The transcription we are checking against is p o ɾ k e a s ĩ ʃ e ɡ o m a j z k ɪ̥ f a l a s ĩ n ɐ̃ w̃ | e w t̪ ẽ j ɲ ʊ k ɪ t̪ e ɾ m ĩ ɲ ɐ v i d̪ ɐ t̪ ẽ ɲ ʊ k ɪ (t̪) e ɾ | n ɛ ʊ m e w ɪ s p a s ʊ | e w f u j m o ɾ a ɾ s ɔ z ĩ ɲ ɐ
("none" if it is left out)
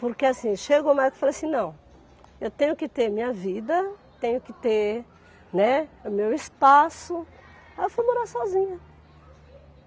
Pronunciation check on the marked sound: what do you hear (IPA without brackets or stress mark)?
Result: t̪